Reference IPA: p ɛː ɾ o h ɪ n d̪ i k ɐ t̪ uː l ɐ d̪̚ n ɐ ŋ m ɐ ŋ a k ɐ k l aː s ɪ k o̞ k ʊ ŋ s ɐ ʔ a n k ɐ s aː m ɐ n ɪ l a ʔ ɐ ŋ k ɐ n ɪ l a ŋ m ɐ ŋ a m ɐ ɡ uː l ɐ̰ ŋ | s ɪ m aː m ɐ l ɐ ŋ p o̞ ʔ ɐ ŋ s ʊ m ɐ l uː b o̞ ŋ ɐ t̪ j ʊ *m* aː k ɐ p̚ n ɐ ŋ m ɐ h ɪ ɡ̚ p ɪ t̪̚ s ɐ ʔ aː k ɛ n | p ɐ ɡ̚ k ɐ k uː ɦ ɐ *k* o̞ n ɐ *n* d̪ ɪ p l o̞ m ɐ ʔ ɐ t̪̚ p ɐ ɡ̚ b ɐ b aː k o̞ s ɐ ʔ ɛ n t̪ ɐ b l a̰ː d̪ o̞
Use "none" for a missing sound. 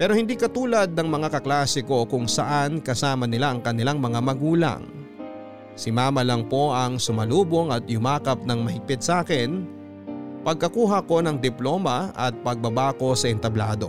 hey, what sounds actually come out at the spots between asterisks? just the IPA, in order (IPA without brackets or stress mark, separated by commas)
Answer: m, k, ŋ